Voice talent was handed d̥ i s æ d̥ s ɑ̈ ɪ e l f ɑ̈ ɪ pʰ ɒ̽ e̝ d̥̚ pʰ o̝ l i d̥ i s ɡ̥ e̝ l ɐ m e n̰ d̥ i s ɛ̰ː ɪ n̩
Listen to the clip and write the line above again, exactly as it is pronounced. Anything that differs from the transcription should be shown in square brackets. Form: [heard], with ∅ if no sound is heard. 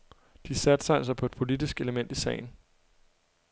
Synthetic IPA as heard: d̥ i s æ d̥ s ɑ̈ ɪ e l [s] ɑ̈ ɪ pʰ ɒ̽ e̝ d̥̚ pʰ o̝ l i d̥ i s ɡ̥ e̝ l [ə] m e n̰ d̥ i s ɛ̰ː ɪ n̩

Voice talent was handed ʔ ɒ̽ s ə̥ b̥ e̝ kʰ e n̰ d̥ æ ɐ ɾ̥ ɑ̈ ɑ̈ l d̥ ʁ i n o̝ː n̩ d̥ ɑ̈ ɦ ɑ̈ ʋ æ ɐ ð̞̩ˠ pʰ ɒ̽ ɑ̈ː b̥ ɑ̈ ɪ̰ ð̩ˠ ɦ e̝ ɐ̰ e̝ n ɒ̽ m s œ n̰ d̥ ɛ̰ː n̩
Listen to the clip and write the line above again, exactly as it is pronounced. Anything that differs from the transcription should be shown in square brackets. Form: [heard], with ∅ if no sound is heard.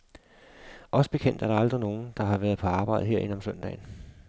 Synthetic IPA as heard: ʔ ɒ̽ s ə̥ b̥ e̝ kʰ e n̰ d̥ æ ɐ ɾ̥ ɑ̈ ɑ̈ l d̥ ʁ i n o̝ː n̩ d̥ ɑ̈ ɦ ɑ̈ ʋ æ ɐ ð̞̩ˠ pʰ ɒ̽ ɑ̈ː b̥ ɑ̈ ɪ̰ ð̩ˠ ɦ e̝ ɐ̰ e̝ n ɒ̽ m s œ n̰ d̥ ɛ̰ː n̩

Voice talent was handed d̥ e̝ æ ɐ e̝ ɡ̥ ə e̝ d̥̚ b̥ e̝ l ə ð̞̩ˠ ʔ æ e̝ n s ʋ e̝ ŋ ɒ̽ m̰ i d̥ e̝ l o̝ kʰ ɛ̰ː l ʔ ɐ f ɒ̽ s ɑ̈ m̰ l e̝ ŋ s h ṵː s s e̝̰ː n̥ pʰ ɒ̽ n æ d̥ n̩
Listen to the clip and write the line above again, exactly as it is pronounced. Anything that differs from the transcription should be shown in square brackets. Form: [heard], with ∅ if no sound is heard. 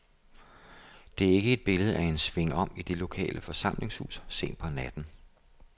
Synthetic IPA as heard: d̥ e̝ æ ɐ e̝ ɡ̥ ə e̝ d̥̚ b̥ e̝ l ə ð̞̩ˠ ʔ æ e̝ n s ʋ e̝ ŋ ɒ̽ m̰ i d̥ e̝ l o̝ kʰ ɛ̰ː l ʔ [ə] f ɒ̽ s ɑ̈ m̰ l e̝ ŋ s h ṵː s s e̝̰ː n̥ pʰ ɒ̽ n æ d̥ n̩

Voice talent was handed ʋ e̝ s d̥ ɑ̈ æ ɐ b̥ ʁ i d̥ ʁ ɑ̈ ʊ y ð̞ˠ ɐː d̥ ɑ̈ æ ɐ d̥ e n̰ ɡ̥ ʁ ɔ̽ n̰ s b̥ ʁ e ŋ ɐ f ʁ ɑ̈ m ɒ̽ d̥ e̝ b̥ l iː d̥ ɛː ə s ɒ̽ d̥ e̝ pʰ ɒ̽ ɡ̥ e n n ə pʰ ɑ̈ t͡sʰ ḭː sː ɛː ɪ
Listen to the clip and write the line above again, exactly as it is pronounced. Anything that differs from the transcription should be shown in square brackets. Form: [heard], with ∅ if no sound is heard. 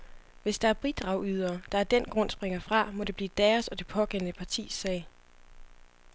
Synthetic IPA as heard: ʋ e̝ s d̥ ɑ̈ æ ɐ b̥ ʁ i d̥ ʁ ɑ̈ ʊ y ð̞ˠ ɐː d̥ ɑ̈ æ ɐ d̥ e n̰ ɡ̥ ʁ ɔ̽ n̰ s b̥ ʁ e ŋ ɐ f ʁ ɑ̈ m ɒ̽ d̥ e̝ b̥ l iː d̥ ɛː [ɐ] s ɒ̽ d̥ e̝ pʰ ɒ̽ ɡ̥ e n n ə pʰ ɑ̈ t͡sʰ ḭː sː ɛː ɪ

